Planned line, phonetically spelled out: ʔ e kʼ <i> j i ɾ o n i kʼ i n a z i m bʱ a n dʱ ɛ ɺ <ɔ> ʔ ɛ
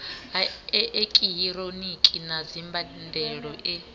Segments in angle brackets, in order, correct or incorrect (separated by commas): correct, correct